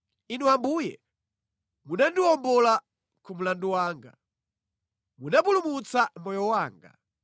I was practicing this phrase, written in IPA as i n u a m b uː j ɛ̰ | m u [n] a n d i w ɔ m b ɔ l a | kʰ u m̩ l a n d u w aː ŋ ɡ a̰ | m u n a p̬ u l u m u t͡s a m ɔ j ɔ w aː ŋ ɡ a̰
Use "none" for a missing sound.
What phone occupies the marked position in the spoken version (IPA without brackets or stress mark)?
n